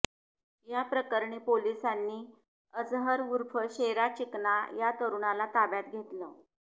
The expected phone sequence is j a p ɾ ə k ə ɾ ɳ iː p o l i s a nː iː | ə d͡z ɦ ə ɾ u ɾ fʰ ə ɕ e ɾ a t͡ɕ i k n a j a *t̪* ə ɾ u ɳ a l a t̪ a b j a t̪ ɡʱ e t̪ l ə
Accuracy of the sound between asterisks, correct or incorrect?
correct